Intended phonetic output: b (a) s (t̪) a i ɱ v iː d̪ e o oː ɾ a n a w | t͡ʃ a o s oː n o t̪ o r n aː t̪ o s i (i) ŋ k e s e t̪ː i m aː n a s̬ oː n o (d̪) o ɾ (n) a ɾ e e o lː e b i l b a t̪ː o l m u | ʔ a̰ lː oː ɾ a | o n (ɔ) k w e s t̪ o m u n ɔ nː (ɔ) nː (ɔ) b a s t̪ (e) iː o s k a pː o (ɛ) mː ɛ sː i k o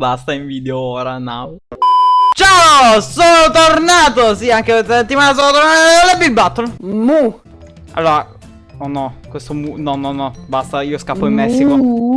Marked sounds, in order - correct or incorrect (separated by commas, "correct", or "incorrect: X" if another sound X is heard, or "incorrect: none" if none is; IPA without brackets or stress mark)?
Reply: correct, correct, incorrect: a, incorrect: t̪, correct, correct, correct, correct, incorrect: a, incorrect: i